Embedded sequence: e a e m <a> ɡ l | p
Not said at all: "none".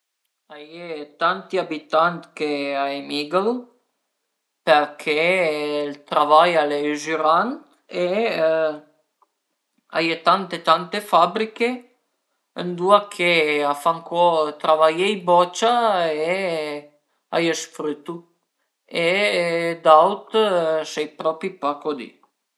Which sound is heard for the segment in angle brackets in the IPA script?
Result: i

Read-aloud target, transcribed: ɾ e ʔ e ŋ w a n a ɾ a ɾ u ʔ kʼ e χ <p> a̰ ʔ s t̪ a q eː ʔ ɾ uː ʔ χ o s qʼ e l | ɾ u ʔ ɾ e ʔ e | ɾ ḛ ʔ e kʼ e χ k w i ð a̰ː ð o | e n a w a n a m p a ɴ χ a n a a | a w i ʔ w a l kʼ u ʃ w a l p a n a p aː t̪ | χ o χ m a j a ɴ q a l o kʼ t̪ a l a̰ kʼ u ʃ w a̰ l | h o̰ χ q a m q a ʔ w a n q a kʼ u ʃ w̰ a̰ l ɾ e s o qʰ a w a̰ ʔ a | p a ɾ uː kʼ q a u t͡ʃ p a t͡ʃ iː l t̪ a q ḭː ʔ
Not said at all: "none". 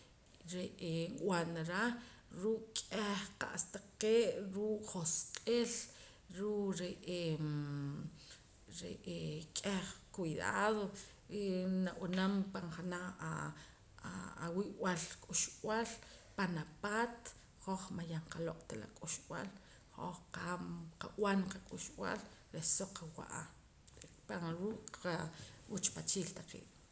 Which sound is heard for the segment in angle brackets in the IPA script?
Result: q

